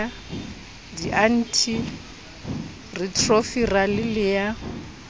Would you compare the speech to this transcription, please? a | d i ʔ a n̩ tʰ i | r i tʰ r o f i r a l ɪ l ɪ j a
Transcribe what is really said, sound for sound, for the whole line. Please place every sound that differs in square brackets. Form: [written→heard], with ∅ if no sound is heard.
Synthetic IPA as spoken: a | d i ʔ a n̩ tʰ i | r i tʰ r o f i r a l ɪ l ɪ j a